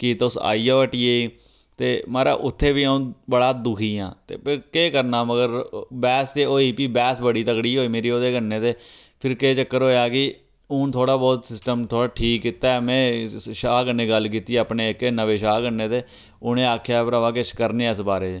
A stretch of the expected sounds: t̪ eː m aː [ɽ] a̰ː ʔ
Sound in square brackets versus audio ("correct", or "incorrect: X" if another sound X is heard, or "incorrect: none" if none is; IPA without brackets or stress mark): incorrect: ɾ